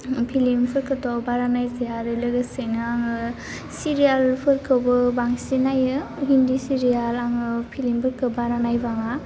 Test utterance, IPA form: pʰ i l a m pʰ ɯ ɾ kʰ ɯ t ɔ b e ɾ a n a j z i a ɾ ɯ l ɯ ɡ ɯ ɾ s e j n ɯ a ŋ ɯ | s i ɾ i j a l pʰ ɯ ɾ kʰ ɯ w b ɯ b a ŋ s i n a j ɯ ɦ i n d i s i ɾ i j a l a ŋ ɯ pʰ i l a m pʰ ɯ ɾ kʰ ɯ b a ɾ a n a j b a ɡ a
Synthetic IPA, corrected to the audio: pʰ i l i m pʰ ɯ ɾ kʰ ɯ t ɔ b a ɾ a n a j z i a ɾ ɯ l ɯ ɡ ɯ s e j n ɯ a ŋ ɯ | s i ɾ i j a l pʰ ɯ ɾ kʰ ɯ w b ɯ b a ŋ s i n a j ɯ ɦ i n d i s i ɾ i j a l a ŋ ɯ pʰ i l i m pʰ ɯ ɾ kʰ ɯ b a ɾ a n a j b a ŋ a